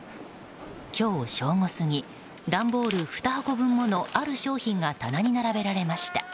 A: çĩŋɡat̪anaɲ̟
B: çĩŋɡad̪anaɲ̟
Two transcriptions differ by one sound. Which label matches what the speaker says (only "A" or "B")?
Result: A